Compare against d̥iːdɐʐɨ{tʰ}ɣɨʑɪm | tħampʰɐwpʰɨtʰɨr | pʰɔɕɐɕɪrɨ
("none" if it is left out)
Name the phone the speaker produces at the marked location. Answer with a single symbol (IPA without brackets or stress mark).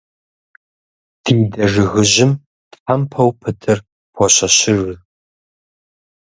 none